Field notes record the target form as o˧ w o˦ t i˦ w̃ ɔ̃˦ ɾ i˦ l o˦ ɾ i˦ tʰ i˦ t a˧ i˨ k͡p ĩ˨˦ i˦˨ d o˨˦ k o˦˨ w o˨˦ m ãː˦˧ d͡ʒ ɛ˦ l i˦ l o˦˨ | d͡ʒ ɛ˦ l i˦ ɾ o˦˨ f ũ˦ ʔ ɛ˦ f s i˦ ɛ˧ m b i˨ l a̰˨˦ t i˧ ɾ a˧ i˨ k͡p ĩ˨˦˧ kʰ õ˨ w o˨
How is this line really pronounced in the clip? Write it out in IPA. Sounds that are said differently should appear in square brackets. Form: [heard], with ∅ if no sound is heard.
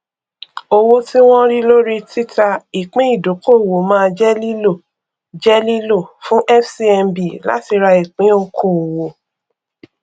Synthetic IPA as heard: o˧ w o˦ t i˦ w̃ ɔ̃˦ ɾ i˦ l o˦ ɾ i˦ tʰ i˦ t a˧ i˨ k͡p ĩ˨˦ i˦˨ d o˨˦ k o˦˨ w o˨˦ m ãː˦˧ d͡ʒ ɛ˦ l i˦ l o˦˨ | d͡ʒ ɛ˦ l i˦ [l] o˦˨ f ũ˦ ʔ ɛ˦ f s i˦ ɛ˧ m b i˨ l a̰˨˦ t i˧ ɾ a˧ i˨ k͡p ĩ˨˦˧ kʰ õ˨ w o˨